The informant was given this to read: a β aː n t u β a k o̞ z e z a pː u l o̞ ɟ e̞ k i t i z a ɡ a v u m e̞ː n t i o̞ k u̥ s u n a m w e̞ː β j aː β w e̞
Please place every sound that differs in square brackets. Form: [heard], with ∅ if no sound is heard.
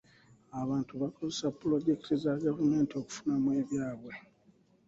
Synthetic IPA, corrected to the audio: a β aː n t u β a k o̞ z e [s] a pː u l o̞ ɟ e̞ k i t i z a ɡ a v u m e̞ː n t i o̞ k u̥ [f] u n a m w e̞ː β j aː β w e̞